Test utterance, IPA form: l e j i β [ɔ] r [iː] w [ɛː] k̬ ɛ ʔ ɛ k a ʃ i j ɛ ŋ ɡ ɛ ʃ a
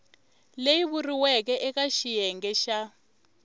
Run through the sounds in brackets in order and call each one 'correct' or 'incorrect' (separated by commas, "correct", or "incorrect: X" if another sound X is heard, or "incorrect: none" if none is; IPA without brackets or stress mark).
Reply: incorrect: u, incorrect: i, incorrect: ɛ